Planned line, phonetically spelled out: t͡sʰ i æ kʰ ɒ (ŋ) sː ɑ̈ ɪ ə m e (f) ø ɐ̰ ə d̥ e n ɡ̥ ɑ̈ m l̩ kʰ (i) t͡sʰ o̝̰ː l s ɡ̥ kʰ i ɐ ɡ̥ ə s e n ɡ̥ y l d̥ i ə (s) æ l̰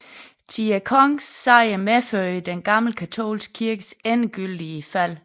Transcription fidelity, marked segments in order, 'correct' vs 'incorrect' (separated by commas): correct, correct, incorrect, incorrect